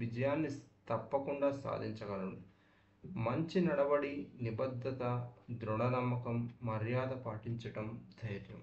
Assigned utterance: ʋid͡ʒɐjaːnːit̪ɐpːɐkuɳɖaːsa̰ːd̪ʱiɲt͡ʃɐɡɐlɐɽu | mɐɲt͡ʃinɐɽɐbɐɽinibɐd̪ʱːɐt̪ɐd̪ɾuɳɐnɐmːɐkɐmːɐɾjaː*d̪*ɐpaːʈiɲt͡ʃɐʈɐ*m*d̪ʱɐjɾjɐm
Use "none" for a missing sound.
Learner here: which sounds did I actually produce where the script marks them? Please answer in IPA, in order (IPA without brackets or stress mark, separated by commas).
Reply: d̪, m